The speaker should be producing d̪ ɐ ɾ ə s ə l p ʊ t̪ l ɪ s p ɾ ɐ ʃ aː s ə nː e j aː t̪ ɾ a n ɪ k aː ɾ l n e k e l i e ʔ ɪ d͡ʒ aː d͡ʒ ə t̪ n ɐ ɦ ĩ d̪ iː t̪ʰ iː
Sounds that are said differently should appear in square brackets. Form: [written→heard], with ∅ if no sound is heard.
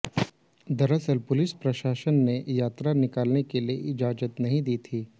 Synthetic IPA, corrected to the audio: d̪ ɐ ɾ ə s ə l p ʊ [t̪→∅] l ɪ s p ɾ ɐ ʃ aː [s→ʃ] ə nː e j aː t̪ ɾ a n ɪ k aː [ɾ→∅] l n e k e l i e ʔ ɪ d͡ʒ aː d͡ʒ ə t̪ n ɐ ɦ ĩ d̪ iː t̪ʰ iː